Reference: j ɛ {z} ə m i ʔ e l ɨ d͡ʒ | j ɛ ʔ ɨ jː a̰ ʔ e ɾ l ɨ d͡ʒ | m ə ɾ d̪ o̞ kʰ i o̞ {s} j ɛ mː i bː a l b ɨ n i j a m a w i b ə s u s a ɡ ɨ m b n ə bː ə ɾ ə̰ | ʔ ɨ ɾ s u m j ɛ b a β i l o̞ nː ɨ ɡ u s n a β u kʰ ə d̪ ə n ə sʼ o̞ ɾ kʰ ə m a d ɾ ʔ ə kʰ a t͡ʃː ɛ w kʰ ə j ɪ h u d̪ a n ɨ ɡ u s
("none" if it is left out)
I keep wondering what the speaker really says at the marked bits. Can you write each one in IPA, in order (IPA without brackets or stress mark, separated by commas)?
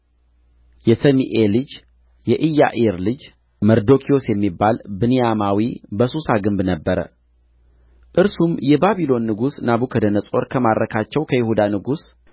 s, s